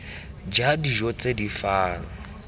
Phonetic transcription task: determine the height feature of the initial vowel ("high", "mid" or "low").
low